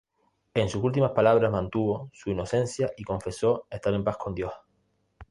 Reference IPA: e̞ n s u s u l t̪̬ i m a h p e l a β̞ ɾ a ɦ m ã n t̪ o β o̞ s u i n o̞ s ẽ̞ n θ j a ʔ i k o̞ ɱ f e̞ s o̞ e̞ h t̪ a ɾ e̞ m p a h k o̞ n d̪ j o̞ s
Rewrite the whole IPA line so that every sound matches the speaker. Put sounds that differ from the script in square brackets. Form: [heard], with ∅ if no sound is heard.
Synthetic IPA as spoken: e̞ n s u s u l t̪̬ i m a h p [a] l a β̞ ɾ a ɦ m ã n t̪ [u] β o̞ s u i n o̞ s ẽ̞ n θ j a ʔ i k o̞ ɱ f e̞ s o̞ e̞ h t̪ a ɾ e̞ m p a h k o̞ n d̪ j o̞ [h]